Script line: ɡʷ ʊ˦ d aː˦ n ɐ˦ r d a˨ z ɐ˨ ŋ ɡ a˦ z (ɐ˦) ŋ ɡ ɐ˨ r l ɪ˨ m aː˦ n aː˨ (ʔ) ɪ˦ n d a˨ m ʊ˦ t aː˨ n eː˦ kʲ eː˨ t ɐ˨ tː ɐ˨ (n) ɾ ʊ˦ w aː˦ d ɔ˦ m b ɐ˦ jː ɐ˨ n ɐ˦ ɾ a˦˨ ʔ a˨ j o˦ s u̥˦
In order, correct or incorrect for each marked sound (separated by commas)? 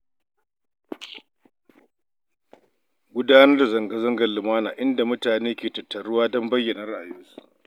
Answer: correct, correct, incorrect